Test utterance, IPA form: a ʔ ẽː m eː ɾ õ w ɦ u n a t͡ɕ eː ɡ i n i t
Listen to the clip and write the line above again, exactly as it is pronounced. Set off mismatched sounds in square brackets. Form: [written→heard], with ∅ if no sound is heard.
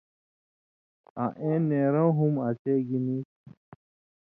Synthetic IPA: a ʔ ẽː [m→n] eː ɾ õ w ɦ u [n→m] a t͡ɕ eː ɡ i n i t